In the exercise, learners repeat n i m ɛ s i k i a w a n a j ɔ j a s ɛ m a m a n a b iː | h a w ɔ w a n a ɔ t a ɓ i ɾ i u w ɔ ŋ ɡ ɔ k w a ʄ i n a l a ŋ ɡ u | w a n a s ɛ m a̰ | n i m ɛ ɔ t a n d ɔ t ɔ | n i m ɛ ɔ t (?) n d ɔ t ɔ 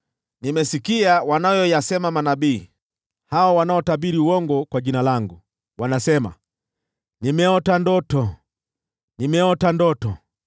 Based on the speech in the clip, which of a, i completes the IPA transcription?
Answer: a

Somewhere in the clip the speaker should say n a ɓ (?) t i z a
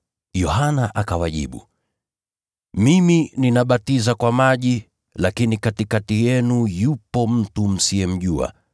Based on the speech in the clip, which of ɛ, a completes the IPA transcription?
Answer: a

